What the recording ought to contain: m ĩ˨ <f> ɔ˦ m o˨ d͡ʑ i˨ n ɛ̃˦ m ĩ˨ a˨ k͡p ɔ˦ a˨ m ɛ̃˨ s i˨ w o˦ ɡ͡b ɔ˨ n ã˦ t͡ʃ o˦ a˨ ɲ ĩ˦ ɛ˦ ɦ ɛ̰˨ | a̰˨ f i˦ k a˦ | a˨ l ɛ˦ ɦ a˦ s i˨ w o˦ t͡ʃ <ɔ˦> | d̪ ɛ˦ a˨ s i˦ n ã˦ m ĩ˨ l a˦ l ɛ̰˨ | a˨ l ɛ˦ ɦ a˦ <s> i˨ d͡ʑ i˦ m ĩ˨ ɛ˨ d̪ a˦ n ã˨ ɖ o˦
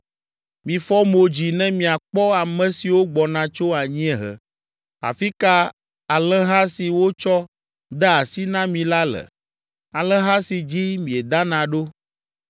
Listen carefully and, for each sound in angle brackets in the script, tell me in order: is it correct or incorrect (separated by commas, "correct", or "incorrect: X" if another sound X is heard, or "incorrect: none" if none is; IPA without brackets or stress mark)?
correct, correct, correct